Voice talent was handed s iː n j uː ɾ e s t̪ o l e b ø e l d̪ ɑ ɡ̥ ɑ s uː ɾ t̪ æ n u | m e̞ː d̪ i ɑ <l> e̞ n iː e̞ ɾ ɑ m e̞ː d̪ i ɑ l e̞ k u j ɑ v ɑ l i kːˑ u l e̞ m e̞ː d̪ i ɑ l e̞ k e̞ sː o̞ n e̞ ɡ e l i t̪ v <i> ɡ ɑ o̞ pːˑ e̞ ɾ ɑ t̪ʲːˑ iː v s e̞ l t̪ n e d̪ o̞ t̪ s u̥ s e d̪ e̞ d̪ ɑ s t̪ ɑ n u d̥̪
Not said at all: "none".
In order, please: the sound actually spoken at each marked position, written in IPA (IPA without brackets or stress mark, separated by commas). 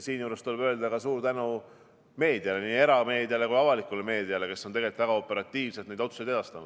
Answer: l, æ